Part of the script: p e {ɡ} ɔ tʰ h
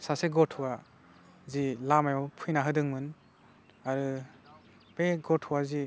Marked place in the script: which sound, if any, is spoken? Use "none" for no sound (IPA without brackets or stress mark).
ɡ